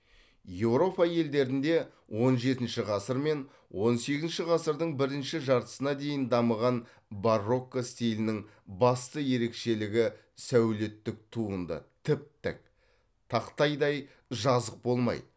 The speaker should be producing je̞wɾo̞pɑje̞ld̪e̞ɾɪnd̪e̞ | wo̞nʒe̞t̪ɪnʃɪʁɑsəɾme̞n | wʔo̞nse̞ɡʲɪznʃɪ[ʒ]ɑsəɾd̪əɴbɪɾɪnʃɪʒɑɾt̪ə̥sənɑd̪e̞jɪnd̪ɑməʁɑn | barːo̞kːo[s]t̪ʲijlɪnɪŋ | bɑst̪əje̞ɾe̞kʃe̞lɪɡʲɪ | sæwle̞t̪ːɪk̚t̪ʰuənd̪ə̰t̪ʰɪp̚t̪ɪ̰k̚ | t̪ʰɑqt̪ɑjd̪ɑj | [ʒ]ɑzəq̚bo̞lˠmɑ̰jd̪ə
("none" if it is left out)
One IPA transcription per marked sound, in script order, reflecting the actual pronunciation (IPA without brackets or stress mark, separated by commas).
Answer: ʁ, s, ʒ